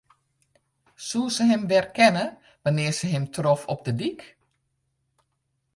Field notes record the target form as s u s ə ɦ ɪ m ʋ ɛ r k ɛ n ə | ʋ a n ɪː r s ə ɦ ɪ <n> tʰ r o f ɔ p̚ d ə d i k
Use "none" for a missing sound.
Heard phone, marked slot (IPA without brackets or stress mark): m